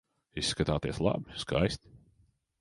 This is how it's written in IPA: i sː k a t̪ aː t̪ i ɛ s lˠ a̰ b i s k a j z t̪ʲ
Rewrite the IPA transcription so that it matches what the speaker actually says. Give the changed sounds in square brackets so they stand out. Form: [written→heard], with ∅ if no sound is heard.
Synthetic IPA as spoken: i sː k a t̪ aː t̪ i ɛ s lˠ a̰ b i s k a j [z→s] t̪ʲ

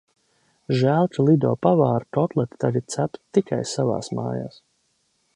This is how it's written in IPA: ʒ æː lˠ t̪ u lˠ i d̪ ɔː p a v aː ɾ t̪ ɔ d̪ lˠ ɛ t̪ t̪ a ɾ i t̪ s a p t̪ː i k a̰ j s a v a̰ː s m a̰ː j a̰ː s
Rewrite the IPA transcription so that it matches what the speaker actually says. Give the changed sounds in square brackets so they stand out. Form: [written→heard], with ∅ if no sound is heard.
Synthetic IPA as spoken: ʒ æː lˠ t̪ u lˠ i d̪ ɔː p a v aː ɾ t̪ ɔ [d̪→t̪] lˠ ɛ t̪ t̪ a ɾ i t̪ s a p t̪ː i k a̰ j s a v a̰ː s m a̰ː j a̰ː s

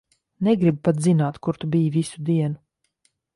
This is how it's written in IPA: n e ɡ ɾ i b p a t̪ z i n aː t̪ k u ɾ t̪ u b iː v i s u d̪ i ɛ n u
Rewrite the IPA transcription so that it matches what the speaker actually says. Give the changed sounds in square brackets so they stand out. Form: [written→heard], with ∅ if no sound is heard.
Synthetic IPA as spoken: n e ɡ ɾ i b p a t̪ z i n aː t̪ k u ɾ t̪ u b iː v i s u d̪ i ɛ n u

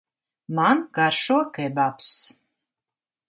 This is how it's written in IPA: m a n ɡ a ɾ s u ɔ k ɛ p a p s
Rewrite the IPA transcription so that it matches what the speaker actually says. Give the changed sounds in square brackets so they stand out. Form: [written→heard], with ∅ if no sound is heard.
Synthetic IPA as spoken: m a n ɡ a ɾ [s→ʃ] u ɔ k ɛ [p→b] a p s

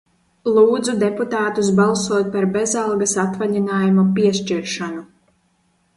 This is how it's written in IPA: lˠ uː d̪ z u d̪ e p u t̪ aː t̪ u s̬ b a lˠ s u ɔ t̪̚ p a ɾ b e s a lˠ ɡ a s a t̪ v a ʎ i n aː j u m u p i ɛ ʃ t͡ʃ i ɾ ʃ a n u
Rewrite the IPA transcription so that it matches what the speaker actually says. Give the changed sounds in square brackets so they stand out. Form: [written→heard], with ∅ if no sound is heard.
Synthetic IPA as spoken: lˠ uː d̪ z u d̪ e p u t̪ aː t̪ u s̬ b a lˠ s u ɔ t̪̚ p a ɾ b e [s→z] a lˠ ɡ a s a t̪ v a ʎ i n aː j u m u p i ɛ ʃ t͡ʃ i ɾ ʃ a n u

